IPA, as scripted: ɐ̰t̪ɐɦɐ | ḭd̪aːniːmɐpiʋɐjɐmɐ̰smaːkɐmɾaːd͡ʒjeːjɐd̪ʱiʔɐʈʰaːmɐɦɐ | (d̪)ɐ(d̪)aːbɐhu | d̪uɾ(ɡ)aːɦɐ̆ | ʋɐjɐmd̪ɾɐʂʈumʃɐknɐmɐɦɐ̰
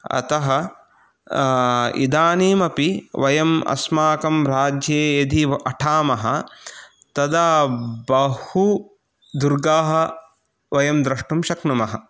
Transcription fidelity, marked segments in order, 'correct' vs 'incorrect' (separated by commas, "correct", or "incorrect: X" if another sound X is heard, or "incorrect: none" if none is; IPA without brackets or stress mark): incorrect: t̪, correct, correct